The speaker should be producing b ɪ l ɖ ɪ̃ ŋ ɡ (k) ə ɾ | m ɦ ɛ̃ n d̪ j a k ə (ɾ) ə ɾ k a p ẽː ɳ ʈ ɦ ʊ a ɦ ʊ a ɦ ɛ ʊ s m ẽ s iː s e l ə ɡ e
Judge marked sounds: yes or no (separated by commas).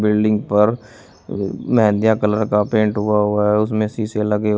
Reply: no, no